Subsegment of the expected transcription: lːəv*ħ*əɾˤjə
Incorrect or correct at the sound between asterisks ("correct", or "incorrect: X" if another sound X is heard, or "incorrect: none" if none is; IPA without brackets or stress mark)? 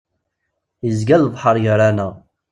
correct